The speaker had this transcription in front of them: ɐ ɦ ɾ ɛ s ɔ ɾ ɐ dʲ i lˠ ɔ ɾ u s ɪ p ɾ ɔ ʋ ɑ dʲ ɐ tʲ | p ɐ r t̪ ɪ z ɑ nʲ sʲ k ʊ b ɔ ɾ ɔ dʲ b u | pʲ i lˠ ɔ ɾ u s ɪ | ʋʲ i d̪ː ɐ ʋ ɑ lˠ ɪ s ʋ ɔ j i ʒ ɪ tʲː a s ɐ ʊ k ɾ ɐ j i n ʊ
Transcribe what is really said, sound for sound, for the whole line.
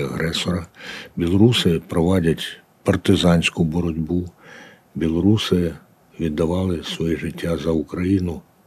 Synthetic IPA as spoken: ɐ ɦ ɾ ɛ s ɔ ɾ ɐ bʲ i lˠ ɔ ɾ u s ɪ p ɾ ɔ ʋ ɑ dʲ ɐ tʲ | p ɐ r t̪ ɪ z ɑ nʲ sʲ k ʊ b ɔ ɾ ɔ dʲ b u | bʲ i lˠ ɔ ɾ u s ɪ | ʋʲ i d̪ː ɐ ʋ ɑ lˠ ɪ s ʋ ɔ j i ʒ ɪ tʲː a z ɐ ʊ k ɾ ɐ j i n ʊ